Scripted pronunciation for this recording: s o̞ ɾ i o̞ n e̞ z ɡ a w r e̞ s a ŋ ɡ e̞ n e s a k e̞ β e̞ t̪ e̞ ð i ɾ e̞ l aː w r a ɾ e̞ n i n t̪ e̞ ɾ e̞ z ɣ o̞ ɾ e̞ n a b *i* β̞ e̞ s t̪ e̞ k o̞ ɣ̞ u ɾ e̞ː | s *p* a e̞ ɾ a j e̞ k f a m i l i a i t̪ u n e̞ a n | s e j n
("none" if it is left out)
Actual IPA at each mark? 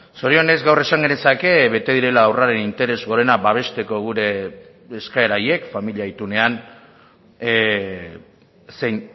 a, k

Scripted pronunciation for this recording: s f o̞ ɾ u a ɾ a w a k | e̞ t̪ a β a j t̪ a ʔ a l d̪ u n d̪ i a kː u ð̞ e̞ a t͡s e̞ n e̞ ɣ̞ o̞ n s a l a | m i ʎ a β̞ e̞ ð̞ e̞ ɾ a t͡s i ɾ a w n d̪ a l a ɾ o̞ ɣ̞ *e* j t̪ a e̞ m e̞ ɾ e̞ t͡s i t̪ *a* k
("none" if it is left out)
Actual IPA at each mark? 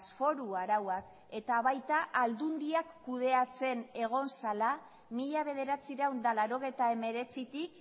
e, i

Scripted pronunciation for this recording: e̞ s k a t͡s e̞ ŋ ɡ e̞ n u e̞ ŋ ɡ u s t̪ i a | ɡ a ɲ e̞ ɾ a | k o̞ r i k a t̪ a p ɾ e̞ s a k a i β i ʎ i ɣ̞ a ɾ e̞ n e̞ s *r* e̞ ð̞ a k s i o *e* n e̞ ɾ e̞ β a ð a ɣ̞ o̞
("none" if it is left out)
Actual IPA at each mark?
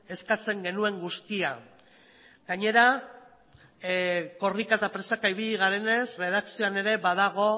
r, a

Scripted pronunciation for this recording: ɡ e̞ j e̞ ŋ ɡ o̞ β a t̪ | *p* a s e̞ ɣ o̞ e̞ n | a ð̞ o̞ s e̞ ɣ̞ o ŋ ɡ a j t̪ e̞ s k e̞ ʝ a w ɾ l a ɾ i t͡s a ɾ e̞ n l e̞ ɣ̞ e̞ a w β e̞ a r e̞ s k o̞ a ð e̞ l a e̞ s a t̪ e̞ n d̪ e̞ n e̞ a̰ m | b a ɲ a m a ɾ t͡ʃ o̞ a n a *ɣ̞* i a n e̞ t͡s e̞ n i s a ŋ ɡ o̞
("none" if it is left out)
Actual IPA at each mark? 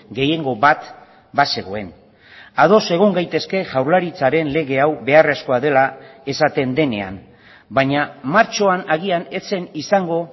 b, ɣ̞

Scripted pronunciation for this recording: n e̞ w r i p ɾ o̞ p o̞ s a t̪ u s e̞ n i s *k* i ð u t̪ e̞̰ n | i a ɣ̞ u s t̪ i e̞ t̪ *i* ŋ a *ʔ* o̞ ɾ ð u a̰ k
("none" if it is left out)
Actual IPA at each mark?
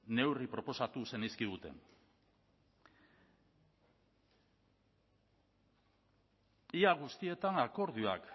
k, a, k

